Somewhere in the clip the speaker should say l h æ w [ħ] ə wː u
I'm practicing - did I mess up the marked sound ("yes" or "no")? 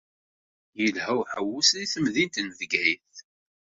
no